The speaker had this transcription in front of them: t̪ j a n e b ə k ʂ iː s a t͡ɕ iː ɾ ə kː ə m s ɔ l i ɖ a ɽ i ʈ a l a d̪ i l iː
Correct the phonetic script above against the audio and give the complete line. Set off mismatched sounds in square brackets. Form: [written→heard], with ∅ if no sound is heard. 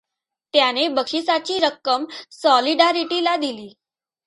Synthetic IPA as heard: t̪ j a n e b ə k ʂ [iː→i] s a t͡ɕ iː ɾ ə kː ə m s ɔ l i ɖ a [ɽ→ɾ] i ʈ [a→i] l a d̪ i l iː